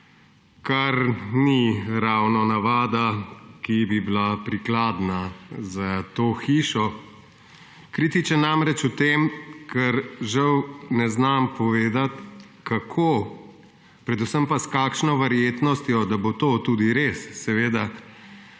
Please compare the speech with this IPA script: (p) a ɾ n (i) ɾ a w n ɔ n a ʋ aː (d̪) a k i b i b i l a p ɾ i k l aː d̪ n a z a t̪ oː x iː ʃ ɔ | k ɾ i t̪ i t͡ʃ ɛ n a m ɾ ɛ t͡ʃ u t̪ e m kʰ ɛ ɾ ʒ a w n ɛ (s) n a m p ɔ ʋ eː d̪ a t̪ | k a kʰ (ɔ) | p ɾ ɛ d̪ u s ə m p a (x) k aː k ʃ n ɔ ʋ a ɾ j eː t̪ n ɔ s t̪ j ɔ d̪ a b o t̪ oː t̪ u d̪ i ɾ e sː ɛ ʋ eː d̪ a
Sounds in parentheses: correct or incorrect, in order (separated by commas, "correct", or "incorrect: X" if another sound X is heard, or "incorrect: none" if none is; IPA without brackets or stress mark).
incorrect: k, correct, correct, incorrect: z, incorrect: o, incorrect: s